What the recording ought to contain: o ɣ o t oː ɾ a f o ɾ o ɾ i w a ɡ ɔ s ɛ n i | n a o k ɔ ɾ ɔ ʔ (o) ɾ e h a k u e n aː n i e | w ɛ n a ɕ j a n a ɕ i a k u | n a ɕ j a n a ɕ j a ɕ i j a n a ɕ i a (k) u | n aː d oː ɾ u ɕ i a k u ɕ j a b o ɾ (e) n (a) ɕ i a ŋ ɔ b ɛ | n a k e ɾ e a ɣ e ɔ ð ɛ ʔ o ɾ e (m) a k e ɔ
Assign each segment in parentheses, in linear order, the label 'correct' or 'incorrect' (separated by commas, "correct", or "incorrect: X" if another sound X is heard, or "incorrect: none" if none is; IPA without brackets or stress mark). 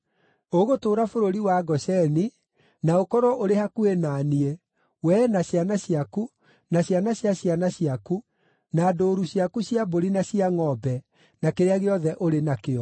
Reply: correct, correct, incorrect: i, correct, incorrect: n